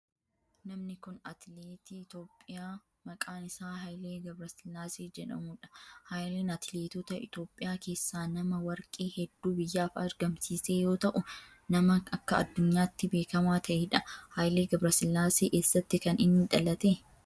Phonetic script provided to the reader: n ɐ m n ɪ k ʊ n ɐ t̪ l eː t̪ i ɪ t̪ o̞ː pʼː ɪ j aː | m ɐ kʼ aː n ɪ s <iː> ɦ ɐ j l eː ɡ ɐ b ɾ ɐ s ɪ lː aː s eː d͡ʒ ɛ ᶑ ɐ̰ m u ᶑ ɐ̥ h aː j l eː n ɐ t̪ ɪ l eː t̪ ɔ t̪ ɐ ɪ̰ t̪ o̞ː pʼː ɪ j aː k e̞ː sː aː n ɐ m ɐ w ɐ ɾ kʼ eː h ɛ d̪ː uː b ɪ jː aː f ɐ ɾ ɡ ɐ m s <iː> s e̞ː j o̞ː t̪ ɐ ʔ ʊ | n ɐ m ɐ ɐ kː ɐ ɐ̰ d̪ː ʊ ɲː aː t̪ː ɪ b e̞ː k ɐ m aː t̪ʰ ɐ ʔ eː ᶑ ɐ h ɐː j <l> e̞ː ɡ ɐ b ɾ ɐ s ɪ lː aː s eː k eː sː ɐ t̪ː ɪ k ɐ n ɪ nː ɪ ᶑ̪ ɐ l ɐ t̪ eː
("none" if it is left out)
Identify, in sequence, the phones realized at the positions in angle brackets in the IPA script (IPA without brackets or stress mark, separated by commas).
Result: aː, iː, l